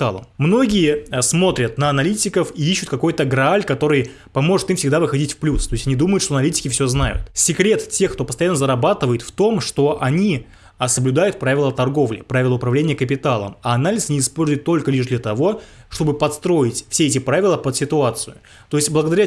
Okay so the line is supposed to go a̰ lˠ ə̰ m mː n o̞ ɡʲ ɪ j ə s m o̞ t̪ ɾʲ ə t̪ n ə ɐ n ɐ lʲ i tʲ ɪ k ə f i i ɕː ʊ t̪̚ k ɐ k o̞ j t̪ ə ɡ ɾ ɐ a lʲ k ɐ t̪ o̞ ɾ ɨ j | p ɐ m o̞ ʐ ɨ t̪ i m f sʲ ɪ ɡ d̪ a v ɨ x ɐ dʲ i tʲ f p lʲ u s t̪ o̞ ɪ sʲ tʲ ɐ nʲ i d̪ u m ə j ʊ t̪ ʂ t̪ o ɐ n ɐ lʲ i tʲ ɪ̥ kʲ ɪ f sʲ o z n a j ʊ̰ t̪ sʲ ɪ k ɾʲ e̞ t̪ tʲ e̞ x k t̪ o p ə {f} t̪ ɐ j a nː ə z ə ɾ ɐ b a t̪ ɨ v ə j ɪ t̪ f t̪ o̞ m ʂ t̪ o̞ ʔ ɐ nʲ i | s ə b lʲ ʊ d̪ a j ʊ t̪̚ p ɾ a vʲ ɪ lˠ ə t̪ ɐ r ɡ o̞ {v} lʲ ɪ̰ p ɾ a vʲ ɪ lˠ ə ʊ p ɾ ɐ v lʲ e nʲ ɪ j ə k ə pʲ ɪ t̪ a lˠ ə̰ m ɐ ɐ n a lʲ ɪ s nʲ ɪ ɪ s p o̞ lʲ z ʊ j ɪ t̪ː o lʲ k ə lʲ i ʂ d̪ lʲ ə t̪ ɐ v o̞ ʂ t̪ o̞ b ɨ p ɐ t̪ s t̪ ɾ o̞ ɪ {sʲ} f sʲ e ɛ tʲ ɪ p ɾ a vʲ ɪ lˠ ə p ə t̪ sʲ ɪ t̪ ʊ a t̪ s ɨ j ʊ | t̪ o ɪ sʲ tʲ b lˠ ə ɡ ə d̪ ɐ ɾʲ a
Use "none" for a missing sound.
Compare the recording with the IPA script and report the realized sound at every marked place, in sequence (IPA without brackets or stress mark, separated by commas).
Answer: s, v, tʲ